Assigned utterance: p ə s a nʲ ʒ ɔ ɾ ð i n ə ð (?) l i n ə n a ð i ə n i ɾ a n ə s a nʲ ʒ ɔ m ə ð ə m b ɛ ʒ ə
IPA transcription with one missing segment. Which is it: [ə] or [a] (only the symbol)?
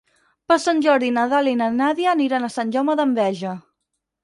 a